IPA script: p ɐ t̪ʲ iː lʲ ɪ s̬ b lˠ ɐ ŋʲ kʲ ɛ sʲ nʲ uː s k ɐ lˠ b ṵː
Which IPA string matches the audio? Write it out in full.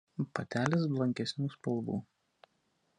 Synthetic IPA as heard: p ɐ t̪ʲ æː lʲ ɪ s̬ b lˠ ɐ ŋʲ kʲ ɛ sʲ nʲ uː s p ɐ lˠ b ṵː